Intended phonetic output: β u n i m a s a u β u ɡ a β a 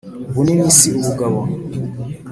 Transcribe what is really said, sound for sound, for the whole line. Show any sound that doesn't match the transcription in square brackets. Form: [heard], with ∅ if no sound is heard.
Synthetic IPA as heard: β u n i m [i] s [i] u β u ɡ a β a